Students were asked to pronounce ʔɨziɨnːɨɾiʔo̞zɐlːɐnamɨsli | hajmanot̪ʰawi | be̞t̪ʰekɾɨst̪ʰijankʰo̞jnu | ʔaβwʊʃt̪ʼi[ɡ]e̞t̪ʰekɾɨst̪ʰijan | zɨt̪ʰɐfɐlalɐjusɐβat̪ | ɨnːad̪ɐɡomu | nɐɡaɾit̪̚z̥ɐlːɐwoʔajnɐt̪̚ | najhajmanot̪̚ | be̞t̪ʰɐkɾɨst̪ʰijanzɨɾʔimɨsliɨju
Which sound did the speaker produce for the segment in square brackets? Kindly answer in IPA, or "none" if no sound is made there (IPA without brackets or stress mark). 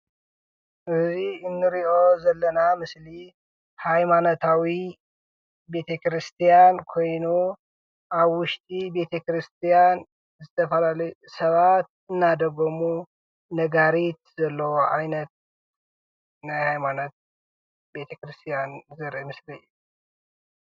b